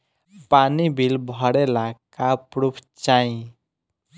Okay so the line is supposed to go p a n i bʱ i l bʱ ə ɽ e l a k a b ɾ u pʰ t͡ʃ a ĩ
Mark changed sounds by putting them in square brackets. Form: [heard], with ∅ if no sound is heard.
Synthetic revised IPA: p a n i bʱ i l bʱ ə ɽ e l a k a [p] ɾ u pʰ t͡ʃ a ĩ